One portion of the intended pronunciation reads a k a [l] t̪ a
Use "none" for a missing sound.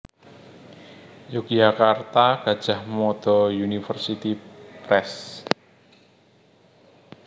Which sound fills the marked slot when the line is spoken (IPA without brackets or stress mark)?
r